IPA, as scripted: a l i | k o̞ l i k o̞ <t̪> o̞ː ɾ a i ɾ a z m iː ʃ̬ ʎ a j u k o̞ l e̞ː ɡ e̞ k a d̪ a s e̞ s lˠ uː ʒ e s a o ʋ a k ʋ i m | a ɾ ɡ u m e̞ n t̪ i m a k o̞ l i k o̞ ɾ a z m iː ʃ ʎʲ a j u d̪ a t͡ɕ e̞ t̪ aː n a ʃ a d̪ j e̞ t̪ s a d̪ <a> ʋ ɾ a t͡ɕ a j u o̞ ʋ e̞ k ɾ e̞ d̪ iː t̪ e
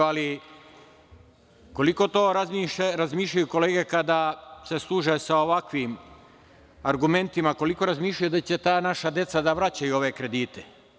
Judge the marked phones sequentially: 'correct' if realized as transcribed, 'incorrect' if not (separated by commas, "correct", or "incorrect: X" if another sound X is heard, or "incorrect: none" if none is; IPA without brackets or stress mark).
correct, correct